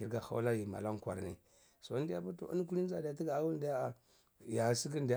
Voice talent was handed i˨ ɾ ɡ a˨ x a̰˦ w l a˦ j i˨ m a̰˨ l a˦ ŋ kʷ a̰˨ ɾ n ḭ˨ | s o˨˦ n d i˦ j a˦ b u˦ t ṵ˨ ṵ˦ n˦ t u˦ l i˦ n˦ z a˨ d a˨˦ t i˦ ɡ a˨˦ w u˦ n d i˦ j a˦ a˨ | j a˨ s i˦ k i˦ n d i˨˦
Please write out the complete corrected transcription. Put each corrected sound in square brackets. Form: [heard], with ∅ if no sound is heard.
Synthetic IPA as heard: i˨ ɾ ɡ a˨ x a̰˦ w l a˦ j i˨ m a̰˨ l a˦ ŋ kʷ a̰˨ ɾ n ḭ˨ | s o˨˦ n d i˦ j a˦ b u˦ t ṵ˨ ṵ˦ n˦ [k] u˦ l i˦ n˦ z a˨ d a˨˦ t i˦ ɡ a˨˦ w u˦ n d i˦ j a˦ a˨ | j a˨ s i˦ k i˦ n d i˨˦